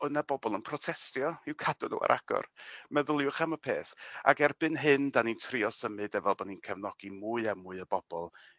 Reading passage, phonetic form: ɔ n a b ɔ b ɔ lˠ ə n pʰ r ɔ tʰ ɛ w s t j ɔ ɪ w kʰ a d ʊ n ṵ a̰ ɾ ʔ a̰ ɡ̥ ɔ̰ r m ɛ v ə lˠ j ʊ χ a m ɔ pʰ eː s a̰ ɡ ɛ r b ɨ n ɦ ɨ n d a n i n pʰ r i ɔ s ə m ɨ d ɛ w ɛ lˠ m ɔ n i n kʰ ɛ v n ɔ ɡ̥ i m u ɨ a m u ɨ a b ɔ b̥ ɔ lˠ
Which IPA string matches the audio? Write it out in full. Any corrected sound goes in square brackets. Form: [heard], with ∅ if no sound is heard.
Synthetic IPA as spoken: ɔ n a b ɔ b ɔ lˠ ə n pʰ r ɔ tʰ ɛ [∅] s t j ɔ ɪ w kʰ a d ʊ n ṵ a̰ ɾ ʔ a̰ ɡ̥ ɔ̰ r m ɛ [ð] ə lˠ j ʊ χ a m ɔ pʰ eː [θ] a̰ ɡ ɛ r b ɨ n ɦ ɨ n d a n i n [tʰ] r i ɔ s ə m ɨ d ɛ [v] ɛ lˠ [b] ɔ n i n kʰ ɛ v n ɔ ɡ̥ i m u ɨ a m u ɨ [ə] b ɔ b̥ ɔ lˠ